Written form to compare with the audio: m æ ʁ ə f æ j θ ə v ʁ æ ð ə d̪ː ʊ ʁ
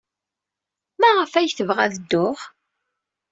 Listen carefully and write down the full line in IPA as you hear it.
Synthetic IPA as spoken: m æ ʁ ə f æ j θ ə v ʁ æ ð ə d̪ː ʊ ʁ